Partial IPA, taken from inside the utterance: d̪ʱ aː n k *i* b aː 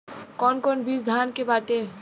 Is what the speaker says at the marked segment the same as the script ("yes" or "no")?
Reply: no